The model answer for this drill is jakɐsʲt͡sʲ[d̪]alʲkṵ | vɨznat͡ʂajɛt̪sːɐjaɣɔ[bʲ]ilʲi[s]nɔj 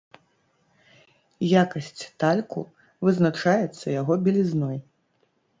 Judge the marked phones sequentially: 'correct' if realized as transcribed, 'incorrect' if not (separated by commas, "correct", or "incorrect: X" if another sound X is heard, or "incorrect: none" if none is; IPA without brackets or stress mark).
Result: incorrect: t̪, correct, incorrect: z